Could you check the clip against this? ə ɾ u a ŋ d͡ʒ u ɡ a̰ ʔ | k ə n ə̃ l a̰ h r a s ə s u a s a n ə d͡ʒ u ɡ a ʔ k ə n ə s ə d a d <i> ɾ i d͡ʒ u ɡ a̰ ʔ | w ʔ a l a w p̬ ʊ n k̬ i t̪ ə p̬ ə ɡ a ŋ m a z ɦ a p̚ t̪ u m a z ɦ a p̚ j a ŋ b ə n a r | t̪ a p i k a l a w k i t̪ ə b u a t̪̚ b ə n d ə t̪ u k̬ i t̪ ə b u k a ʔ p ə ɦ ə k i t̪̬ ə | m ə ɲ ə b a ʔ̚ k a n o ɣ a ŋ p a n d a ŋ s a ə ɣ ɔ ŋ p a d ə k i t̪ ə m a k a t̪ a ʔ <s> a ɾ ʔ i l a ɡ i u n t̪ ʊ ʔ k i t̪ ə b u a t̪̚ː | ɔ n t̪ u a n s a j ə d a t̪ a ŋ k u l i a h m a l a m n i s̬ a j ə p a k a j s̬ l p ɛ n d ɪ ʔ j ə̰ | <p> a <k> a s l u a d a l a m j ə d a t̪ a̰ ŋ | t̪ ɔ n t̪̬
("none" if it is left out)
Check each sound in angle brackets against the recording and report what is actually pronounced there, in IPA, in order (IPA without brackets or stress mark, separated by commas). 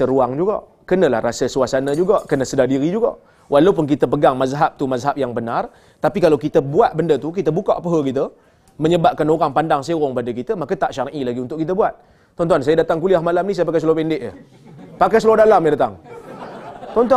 i, ʃ, p, k